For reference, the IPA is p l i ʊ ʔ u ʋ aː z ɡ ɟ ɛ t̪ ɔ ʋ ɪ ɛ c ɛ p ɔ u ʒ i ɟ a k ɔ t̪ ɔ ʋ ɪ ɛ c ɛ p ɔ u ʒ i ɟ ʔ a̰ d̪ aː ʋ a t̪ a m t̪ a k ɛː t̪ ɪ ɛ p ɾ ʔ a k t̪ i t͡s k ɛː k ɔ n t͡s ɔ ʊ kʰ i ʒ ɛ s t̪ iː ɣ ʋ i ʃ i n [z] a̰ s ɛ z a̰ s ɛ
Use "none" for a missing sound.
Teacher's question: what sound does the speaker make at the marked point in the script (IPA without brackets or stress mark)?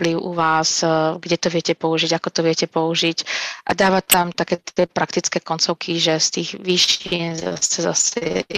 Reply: z